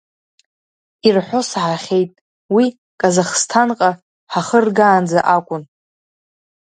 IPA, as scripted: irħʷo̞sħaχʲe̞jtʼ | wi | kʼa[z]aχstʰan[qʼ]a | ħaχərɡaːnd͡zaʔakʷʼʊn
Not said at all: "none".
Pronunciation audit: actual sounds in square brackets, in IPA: z, qʼ

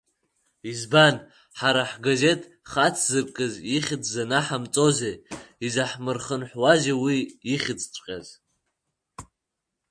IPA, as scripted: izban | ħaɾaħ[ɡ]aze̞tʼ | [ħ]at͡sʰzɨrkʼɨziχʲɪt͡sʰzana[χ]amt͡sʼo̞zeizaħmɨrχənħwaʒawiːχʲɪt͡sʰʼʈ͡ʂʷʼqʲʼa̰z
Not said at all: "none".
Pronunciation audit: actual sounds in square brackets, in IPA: ɡ, χ, ħ

